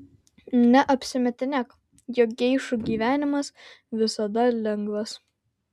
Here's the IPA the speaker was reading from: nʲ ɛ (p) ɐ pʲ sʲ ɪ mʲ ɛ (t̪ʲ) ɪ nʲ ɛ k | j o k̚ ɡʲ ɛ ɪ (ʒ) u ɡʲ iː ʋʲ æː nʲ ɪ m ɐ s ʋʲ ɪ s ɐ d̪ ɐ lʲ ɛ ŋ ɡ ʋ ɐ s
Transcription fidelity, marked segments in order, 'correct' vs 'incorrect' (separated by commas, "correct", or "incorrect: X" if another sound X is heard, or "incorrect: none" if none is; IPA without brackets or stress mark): incorrect: ʔ, correct, incorrect: ʃ